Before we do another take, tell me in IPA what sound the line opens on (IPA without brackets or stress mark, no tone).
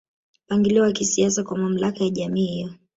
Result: p